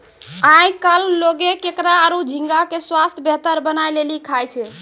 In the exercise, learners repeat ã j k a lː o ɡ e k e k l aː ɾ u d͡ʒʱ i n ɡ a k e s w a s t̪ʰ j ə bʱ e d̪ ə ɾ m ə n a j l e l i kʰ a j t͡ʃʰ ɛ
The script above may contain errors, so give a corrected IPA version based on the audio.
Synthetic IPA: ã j k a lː o ɡ e k e k ɾ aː ɾ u d͡ʒʱ i ŋ ɡ a k e s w a s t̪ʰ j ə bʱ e t̪ ə ɾ b ə n a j l e l i kʰ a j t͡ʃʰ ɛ